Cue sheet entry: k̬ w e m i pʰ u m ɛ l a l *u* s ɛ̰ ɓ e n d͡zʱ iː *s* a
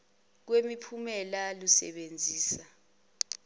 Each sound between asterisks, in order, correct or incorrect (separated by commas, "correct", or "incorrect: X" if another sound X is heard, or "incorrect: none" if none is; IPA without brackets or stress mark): correct, correct